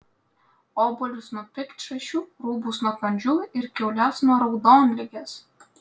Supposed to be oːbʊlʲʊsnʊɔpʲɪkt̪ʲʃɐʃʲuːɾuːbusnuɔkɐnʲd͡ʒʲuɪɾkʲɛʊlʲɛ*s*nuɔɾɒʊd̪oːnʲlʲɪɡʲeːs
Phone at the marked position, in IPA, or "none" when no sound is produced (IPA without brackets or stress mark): s